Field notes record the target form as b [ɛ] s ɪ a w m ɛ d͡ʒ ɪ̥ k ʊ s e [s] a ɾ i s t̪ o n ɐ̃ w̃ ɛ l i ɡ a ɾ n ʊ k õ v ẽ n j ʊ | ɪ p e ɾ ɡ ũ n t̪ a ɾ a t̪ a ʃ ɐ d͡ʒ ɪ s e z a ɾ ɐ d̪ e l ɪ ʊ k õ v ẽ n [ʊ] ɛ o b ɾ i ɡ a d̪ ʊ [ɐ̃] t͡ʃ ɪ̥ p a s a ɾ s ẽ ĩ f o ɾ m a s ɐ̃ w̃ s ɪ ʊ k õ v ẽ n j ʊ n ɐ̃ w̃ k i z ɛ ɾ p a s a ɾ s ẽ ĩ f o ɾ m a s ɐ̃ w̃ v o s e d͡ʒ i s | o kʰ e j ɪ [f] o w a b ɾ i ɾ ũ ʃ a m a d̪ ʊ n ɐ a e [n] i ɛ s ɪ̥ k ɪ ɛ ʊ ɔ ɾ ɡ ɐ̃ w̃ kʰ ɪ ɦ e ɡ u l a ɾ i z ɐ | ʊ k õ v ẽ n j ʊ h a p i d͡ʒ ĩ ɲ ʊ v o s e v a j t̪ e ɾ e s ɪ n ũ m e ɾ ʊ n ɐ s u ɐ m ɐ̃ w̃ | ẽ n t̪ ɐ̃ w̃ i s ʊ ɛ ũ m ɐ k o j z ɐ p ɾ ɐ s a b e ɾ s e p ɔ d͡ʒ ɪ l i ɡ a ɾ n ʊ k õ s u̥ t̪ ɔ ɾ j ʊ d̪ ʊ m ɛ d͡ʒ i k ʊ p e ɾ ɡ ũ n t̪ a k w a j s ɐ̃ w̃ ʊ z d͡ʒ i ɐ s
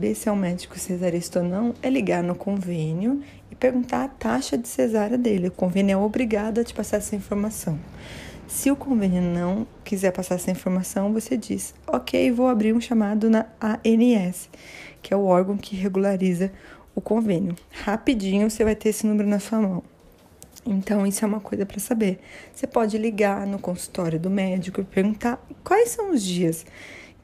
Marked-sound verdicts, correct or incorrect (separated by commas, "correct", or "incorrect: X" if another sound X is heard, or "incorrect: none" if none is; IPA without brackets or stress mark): incorrect: e, incorrect: z, correct, incorrect: ɐ, incorrect: v, correct